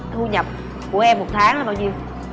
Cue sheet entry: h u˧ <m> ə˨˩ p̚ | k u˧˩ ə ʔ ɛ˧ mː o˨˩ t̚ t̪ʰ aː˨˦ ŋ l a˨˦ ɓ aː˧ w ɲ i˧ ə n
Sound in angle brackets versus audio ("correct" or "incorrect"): incorrect